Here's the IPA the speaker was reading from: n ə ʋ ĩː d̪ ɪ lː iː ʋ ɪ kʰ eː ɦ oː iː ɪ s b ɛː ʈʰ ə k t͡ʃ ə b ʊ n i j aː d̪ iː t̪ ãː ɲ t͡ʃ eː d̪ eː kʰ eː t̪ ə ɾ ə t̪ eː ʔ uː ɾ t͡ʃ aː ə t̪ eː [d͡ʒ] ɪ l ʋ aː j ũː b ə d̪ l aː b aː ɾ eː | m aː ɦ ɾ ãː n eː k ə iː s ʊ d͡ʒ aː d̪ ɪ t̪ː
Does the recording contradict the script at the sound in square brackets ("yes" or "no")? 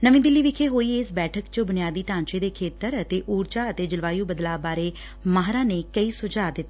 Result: no